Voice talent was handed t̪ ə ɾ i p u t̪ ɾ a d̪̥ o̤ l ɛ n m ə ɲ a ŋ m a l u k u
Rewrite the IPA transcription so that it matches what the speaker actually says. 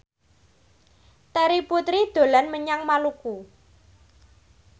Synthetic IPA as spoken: t̪ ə ɾ i p u t̪ ɾ i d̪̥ o̤ l a n m ə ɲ a ŋ m a l u k u